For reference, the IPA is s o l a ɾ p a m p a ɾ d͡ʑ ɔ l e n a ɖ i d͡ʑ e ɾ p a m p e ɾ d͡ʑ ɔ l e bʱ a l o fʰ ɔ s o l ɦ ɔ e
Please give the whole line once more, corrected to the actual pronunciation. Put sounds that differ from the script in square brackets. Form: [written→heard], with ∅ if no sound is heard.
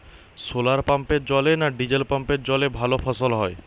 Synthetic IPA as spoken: s o l a ɾ p a m p [a→e] ɾ d͡ʑ ɔ l e n a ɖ i d͡ʑ e [ɾ→l] p a m p e ɾ d͡ʑ ɔ l e bʱ a l o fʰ ɔ s o l ɦ ɔ e